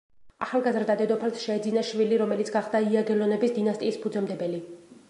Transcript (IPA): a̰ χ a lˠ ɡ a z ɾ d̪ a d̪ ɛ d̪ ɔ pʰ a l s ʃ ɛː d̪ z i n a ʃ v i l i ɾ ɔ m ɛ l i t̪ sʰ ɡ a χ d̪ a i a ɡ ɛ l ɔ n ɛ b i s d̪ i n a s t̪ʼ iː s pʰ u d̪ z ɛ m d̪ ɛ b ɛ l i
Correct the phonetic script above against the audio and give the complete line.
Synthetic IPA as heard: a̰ χ a lˠ ɡ a z ɾ d̪ a d̪ ɛ d̪ ɔ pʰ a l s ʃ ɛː d̪ z i n a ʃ v i l i ɾ ɔ m ɛ l i t̪ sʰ ɡ a χ d̪ a i a ɡ ɛ l ɔ n ɛ b i s d̪ i n a s t̪ʼ iː s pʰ u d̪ z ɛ m d̪ ɛ b ɛ l i